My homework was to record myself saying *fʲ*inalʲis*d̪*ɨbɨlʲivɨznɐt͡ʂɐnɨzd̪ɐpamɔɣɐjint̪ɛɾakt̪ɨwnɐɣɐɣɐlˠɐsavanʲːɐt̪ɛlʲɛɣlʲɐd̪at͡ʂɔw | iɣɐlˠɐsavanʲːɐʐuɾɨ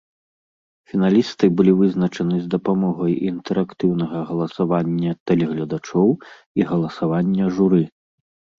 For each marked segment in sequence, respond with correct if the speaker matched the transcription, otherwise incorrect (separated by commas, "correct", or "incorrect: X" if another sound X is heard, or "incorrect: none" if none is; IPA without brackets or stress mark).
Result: correct, incorrect: t̪